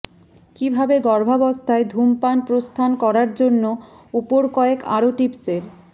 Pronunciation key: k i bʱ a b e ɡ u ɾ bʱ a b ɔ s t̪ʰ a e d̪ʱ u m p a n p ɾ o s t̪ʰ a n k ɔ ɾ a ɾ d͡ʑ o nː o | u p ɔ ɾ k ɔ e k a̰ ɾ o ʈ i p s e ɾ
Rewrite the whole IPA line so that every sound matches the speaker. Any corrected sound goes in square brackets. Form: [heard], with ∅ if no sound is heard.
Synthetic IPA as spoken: k i bʱ a b e ɡ [ɔ] ɾ bʱ a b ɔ s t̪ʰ a e d̪ʱ u m p a n p ɾ o s t̪ʰ a n k ɔ ɾ a ɾ d͡ʑ o nː o | u p [o] ɾ k ɔ e k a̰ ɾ o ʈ i p s e ɾ